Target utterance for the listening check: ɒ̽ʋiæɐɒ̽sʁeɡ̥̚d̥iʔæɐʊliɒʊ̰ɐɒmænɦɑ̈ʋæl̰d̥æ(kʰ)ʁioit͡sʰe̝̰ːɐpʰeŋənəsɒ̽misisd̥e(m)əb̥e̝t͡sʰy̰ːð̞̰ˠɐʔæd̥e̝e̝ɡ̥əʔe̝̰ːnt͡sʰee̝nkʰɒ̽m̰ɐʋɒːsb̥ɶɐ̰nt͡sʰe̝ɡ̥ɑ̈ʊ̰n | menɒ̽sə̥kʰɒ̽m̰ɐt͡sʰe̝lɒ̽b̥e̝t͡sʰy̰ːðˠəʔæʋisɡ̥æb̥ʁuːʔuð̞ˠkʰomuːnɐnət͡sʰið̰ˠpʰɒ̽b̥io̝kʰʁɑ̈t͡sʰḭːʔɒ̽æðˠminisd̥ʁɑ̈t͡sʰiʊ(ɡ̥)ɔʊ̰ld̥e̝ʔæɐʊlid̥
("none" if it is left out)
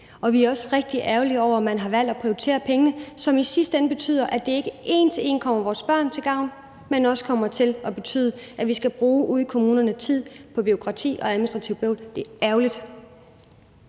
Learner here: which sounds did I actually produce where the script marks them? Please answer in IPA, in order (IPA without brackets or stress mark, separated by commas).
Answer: pʰ, n, b̥